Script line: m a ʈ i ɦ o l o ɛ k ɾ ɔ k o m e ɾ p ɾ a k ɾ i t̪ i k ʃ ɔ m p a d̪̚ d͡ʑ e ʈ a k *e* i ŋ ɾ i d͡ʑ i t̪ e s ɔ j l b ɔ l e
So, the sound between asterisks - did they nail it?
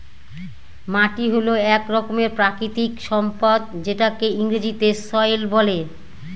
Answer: yes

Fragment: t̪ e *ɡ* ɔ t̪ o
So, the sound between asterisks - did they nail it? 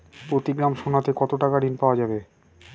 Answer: no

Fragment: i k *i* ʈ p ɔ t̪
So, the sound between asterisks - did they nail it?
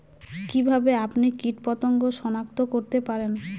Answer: yes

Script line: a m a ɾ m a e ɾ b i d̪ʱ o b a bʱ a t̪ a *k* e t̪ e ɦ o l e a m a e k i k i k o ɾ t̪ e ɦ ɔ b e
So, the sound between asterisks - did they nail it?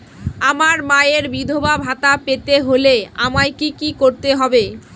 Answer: no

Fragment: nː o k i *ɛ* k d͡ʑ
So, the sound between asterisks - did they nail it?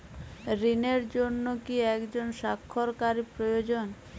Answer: yes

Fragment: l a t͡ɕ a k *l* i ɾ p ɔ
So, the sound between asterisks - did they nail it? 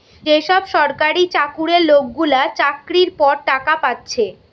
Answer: no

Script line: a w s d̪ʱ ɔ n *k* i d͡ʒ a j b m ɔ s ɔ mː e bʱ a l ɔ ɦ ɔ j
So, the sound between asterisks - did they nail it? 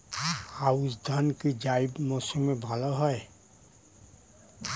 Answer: yes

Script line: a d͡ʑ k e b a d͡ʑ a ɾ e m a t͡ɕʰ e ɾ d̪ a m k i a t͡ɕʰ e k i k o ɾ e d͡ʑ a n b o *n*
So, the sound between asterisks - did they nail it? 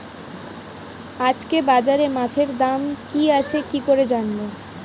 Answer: no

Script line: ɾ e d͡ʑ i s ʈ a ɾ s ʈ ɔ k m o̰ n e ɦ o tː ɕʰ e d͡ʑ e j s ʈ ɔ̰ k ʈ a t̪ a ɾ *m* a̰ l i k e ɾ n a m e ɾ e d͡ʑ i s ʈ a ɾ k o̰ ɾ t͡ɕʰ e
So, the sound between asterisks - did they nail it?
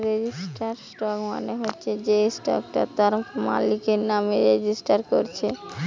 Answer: yes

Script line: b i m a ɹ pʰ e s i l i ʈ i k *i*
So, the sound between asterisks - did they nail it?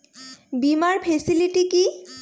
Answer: yes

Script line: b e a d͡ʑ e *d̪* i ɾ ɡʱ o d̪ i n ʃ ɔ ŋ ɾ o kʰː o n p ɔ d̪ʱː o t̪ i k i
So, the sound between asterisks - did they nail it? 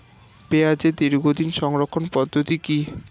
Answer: yes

